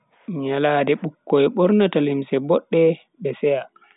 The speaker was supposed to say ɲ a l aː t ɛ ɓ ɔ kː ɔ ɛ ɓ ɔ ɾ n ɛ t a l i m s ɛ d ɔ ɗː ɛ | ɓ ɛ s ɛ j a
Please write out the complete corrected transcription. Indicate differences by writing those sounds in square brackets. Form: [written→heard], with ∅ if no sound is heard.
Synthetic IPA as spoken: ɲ a l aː [t→d] ɛ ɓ [ɔ→u] kː ɔ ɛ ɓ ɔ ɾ n [ɛ→a] t a l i m s ɛ [d→b] ɔ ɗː ɛ | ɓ ɛ s ɛ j a

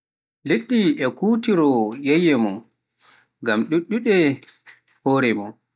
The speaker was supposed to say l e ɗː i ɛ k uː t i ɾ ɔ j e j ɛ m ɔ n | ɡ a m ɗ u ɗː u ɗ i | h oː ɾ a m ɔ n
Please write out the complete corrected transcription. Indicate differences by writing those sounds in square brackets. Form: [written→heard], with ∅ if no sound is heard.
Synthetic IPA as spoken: l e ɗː i ɛ k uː t i ɾ ɔ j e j ɛ m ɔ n | ɡ a m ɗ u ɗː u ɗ [i→ɛ] | h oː ɾ [a→ɛ] m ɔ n

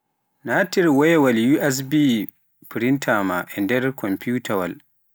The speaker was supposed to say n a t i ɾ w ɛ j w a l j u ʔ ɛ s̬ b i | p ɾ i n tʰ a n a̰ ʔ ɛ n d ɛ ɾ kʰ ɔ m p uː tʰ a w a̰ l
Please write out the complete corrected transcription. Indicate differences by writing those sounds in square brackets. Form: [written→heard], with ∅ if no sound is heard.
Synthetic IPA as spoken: n a t i ɾ w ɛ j w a l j u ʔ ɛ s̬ b i | p ɾ i n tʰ a [n→m] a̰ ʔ ɛ n d ɛ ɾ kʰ ɔ m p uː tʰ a w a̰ l

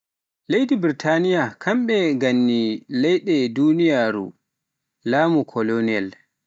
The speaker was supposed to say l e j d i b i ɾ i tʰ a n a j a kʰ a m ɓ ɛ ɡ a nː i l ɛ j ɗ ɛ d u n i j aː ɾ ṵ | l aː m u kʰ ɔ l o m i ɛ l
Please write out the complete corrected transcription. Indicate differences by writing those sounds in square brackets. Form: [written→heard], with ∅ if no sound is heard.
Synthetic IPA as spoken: l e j d i b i ɾ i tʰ a n [a→i] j a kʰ a m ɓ ɛ ɡ a nː i l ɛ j ɗ ɛ d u n i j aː ɾ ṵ | l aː m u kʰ ɔ l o [m→n] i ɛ l

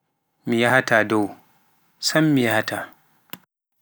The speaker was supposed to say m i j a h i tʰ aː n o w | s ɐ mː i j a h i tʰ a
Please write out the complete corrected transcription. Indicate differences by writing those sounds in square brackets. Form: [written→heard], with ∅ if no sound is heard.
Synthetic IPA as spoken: m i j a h [i→a] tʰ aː [n→d] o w | s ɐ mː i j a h [i→a] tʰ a

